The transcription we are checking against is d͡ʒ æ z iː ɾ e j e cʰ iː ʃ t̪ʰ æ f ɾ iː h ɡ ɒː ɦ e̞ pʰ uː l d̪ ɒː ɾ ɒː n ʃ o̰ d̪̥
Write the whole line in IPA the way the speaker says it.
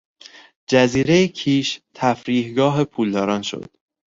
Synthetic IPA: d͡ʒ æ z iː ɾ e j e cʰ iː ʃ t̪ʰ æ f ɾ iː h ɡ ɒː ɦ e̞ pʰ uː l d̪ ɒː ɾ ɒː n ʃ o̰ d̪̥